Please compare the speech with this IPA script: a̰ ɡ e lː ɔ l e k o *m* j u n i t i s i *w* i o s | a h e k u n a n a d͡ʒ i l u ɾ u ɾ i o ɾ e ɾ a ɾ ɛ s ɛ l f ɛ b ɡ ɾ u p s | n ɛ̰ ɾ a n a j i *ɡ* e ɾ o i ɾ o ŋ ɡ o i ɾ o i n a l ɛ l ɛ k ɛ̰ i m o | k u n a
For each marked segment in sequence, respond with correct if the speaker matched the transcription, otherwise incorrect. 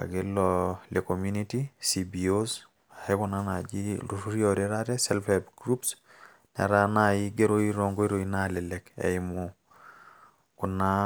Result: correct, incorrect, correct

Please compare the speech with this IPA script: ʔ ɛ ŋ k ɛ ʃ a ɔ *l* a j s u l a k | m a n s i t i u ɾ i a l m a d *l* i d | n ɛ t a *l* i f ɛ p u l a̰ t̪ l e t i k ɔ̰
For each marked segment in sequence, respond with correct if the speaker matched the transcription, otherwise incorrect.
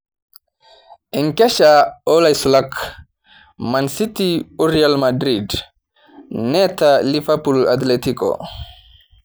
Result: correct, incorrect, correct

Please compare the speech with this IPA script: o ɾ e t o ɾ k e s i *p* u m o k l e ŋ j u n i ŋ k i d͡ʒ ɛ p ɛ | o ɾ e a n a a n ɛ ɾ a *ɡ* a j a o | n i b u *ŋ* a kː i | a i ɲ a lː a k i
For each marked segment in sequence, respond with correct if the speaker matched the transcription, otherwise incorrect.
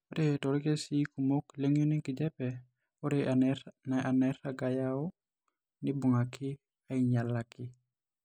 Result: incorrect, correct, correct

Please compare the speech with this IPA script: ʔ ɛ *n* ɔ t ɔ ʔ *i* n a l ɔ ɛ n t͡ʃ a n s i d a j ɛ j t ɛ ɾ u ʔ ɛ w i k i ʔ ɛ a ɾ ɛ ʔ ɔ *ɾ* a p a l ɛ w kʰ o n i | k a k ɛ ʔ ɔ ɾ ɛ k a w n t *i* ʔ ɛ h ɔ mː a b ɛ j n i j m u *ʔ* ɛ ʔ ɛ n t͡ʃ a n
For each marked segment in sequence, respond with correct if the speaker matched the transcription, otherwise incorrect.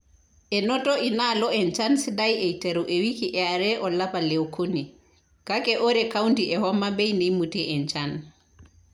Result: correct, correct, incorrect, correct, incorrect

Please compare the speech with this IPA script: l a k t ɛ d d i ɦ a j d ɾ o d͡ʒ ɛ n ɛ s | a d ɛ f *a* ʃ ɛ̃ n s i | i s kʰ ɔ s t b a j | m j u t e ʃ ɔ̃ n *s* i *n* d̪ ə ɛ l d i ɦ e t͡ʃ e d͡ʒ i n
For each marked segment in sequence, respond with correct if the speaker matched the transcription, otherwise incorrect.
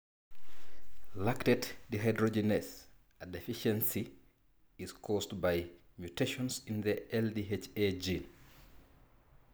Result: incorrect, correct, correct

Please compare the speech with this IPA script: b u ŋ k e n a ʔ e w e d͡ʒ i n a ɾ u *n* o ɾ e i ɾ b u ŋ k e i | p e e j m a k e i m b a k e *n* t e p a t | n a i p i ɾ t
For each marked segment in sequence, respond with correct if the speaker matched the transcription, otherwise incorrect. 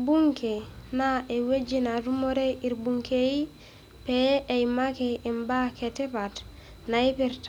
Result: incorrect, incorrect

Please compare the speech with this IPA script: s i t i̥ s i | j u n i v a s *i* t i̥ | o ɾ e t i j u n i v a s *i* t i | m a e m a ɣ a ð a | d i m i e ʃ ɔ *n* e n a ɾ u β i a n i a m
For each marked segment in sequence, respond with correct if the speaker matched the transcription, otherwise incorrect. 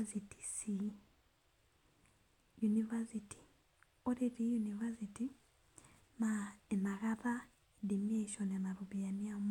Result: correct, correct, correct

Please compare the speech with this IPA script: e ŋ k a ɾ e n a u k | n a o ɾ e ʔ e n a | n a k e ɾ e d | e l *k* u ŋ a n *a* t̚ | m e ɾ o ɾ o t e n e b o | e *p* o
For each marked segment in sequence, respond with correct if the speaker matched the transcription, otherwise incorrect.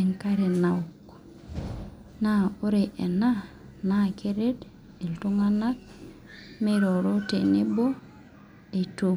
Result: incorrect, correct, incorrect

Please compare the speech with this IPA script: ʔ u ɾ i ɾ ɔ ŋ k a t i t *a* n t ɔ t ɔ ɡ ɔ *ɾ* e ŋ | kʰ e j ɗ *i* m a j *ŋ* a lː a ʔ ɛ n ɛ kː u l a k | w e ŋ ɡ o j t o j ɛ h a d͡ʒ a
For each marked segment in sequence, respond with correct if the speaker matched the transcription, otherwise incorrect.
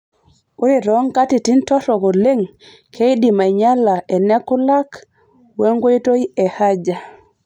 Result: incorrect, incorrect, correct, incorrect

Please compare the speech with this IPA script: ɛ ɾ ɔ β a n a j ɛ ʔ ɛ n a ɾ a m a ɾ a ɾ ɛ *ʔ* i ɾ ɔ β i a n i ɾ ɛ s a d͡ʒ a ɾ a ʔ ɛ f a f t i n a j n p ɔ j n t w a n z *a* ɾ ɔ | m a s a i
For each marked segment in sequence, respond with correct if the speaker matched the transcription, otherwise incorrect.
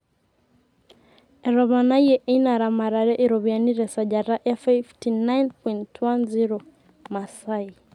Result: correct, incorrect

